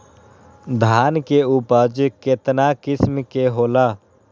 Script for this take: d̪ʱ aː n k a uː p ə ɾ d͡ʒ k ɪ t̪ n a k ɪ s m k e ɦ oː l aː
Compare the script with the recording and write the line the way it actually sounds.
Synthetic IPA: d̪ʱ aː n k e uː p ə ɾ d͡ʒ k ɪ t̪ n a k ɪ s m k e ɦ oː l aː